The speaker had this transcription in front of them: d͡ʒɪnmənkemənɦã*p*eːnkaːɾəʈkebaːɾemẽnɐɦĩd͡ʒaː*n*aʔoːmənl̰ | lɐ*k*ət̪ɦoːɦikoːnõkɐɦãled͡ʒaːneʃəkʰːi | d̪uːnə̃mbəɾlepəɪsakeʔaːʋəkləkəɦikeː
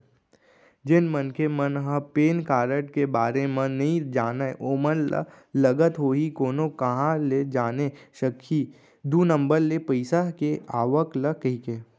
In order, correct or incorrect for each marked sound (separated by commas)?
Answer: correct, correct, incorrect